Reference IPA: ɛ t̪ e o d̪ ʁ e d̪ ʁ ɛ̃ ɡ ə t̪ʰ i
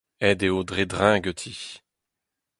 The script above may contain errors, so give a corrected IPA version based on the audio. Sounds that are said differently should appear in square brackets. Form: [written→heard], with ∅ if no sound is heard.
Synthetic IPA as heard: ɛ [t̪→d̪] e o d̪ ʁ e d̪ ʁ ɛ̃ ɡ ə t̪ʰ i